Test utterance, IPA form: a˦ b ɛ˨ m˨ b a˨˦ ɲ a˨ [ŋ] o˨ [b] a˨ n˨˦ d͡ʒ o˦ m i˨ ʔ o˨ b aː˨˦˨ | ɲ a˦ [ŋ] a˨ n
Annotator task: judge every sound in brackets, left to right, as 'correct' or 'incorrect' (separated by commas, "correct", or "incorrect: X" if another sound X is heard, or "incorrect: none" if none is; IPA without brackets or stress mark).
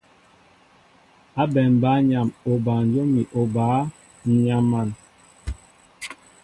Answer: incorrect: m, correct, incorrect: m